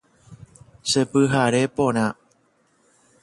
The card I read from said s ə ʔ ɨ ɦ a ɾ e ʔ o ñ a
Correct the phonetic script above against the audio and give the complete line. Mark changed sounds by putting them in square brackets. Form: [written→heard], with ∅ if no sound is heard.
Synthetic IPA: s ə [ʔ→p] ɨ ɦ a ɾ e [ʔ→p] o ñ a